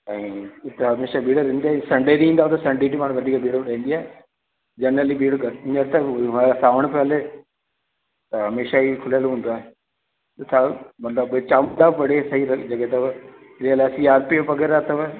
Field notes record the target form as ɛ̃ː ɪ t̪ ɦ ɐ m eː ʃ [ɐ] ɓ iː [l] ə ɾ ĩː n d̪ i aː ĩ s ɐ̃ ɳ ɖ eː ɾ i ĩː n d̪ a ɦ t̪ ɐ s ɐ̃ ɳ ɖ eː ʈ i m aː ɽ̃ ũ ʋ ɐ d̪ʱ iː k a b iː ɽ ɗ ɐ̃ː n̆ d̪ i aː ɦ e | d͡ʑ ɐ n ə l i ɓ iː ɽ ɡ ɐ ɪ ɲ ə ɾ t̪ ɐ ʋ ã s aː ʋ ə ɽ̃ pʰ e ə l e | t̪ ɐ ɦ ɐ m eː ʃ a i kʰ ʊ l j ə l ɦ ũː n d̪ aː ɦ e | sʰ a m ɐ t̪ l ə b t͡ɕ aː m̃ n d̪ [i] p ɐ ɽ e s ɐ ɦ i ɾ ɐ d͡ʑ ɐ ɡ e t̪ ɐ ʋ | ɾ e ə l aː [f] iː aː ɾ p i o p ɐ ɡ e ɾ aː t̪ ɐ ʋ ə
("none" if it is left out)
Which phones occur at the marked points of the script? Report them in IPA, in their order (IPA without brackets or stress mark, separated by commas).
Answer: a, ɽ, a, s